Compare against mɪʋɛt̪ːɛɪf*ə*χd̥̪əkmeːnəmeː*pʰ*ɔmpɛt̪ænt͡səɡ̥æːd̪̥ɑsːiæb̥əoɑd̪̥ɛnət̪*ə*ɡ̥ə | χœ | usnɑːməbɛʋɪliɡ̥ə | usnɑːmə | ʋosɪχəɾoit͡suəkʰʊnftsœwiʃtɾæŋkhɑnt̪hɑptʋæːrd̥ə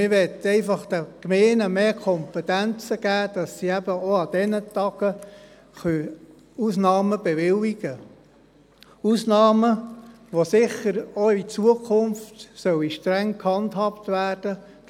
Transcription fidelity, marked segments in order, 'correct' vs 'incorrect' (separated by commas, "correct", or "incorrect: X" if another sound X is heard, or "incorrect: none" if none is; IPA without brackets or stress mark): incorrect: ɑ, incorrect: kʰ, incorrect: ɑ